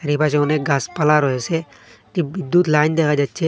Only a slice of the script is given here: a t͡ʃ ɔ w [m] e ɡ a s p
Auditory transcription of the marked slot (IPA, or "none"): n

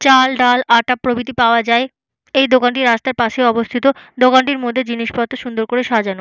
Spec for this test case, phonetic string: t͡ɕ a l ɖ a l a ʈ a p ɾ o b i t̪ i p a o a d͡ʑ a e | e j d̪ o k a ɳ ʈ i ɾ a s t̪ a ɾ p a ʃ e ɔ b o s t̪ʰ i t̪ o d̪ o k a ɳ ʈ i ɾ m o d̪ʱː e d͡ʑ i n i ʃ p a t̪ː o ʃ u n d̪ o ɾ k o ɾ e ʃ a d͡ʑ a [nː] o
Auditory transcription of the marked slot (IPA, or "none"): n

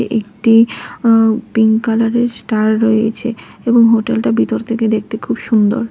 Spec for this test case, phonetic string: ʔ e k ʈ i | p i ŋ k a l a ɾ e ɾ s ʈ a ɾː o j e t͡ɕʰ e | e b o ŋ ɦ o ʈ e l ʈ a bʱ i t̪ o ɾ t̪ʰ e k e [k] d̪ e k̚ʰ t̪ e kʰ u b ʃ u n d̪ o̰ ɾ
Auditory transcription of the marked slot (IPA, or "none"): none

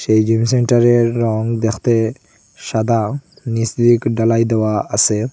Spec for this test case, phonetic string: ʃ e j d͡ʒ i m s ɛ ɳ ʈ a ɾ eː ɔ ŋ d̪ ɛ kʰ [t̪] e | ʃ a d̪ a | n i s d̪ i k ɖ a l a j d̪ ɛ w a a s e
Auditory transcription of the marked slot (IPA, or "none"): t̪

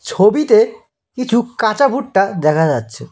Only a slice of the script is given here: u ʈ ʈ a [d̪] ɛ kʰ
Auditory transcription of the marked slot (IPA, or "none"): d̪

